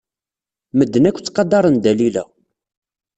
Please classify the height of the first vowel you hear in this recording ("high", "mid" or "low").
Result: mid